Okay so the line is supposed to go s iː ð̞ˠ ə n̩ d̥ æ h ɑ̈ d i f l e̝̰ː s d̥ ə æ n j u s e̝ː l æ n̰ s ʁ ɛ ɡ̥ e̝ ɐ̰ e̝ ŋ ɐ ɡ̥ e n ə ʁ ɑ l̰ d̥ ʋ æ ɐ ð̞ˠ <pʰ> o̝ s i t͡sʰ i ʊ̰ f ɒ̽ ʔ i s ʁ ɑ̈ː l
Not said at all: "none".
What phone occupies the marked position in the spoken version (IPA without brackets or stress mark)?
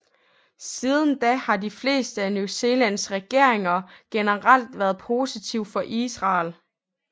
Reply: pʰ